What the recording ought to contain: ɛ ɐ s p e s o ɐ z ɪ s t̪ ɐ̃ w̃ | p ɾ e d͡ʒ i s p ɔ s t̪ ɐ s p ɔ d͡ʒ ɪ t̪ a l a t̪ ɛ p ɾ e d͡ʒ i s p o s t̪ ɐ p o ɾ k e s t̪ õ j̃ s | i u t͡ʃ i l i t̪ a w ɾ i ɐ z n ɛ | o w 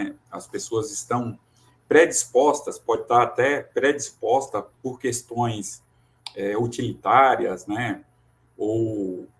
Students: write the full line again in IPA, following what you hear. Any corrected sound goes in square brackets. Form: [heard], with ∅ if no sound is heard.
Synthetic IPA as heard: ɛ ɐ s p e s o ɐ z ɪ s t̪ ɐ̃ w̃ | p ɾ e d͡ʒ i s p ɔ s t̪ ɐ s p ɔ d͡ʒ ɪ t̪ a [ɾ] a t̪ ɛ p ɾ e d͡ʒ i s p [ɔ] s t̪ ɐ p o ɾ k e s t̪ õ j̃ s | [ɛ] u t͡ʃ i l i t̪ a [∅] ɾ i ɐ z n ɛ | o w